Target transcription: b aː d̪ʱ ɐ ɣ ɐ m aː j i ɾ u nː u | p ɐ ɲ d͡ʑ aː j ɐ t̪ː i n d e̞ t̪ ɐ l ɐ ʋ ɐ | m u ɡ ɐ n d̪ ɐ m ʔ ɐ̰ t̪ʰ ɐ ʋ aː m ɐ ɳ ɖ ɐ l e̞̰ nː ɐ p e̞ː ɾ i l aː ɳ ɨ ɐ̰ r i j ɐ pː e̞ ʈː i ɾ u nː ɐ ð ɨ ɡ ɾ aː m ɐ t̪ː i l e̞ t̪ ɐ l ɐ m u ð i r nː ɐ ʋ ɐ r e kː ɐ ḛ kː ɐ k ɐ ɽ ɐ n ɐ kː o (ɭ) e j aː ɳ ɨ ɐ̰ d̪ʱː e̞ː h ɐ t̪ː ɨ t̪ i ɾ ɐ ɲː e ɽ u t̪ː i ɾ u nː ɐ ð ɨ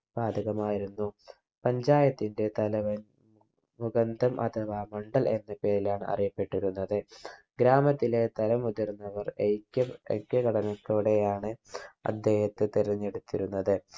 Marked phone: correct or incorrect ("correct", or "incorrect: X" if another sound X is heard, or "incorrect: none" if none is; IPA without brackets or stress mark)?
incorrect: ɽ